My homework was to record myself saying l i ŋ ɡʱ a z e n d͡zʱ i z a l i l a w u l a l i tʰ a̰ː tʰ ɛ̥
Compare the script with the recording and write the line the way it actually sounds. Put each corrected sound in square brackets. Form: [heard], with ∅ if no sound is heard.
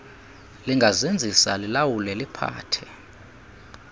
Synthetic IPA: l i ŋ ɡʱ a z e n d͡zʱ i [s] a l i l a w u l [ɛ] l i [pʰ] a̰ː tʰ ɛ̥